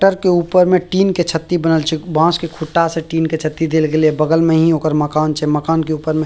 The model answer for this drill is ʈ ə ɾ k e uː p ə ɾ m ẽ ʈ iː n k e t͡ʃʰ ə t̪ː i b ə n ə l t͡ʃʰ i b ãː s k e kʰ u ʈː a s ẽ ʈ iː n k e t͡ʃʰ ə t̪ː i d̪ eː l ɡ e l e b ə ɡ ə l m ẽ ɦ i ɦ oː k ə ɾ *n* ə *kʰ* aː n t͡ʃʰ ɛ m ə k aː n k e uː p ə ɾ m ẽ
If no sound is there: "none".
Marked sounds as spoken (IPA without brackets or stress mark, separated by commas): m, k